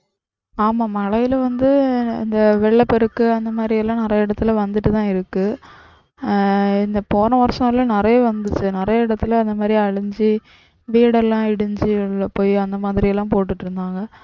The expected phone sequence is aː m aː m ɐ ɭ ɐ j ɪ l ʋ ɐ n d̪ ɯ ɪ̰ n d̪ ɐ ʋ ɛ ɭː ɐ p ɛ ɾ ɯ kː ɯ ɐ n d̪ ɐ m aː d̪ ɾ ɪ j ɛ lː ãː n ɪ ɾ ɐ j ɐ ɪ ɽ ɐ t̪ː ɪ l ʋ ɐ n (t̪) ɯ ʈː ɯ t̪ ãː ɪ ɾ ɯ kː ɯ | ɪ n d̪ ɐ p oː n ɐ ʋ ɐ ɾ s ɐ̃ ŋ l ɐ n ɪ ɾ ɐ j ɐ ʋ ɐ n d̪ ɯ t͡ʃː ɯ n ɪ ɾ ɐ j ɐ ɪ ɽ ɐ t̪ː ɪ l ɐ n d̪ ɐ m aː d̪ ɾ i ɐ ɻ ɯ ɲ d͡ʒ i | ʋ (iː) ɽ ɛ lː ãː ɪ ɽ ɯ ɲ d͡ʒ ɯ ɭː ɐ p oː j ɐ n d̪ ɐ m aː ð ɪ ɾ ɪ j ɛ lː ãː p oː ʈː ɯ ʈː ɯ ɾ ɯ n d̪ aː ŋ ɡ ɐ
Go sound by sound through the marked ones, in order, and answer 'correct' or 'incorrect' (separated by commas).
incorrect, correct